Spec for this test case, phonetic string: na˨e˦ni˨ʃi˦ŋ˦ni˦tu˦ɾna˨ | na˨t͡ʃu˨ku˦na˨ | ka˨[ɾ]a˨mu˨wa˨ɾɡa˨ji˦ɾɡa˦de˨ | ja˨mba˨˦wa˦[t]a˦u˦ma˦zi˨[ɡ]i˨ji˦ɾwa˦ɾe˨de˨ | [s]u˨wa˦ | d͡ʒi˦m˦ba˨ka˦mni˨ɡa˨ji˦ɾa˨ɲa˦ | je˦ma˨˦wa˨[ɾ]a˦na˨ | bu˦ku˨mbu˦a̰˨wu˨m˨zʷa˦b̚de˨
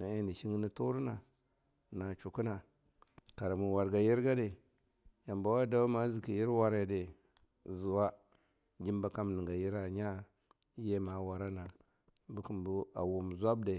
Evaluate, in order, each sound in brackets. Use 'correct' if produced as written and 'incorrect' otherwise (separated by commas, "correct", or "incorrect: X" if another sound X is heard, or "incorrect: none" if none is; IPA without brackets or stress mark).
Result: correct, incorrect: d, incorrect: k, incorrect: z, correct